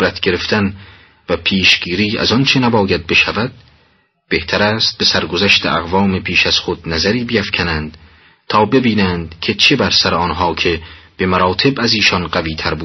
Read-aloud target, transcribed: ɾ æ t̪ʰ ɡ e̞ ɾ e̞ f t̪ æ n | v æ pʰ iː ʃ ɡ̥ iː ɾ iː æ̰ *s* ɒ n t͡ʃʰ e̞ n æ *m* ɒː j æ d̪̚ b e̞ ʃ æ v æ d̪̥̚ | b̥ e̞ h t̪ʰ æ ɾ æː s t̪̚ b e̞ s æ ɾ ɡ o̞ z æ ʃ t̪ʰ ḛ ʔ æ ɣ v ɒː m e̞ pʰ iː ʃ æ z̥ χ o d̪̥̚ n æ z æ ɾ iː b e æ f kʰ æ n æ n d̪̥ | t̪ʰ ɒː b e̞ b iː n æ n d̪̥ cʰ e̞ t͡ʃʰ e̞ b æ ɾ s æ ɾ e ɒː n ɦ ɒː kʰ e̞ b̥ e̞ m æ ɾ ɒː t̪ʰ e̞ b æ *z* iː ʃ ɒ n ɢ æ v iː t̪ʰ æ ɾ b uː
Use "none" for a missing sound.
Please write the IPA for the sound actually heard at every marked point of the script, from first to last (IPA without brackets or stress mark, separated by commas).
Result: z, b, z